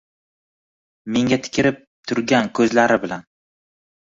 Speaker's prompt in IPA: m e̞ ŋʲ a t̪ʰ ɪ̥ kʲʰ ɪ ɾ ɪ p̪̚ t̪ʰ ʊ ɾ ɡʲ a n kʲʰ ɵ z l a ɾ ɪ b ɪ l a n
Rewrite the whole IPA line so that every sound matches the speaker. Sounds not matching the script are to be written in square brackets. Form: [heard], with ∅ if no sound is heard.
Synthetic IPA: m e̞ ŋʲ a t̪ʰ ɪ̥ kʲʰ ɪ ɾ ɪ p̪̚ t̪ʰ ʊ ɾ ɡʲ a n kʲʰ ɵ z l a ɾ ɪ b ɪ l a n